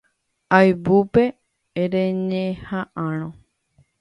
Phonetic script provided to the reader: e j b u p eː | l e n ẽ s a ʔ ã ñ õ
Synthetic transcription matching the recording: a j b u p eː | ɾ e ɲ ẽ h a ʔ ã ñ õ